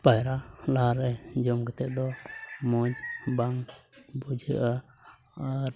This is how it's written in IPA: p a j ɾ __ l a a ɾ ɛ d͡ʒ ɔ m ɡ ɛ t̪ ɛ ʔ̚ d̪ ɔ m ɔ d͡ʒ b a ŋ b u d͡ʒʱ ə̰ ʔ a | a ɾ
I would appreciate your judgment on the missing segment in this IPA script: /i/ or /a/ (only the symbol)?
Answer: a